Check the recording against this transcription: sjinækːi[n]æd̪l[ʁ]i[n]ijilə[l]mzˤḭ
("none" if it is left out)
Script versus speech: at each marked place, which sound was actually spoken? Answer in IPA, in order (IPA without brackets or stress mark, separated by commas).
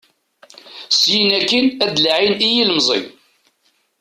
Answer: n, ʕ, n, none